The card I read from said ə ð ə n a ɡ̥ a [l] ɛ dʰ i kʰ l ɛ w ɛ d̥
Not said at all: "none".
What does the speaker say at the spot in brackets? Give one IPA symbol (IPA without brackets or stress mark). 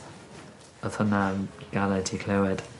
l